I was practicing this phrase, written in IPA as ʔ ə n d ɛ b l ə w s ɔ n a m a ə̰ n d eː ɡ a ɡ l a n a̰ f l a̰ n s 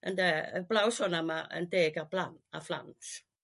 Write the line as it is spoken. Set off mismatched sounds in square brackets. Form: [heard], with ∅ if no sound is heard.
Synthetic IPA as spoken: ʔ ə n d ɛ b l [a] w s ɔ n a m a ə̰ n d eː ɡ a [b] l a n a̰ f l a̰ n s